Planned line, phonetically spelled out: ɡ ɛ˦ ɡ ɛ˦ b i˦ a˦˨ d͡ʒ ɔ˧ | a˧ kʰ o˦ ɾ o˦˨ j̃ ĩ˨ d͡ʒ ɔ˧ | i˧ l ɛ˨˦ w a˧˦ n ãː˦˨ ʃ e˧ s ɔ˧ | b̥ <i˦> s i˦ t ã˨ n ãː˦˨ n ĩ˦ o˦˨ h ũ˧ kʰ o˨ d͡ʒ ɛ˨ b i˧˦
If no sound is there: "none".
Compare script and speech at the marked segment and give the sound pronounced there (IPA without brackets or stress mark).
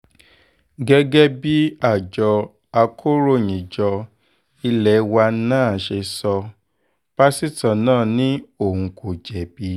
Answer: a˦